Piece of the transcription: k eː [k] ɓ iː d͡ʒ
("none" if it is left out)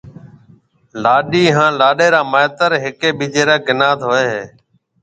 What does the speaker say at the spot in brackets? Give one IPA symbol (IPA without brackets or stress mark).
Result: none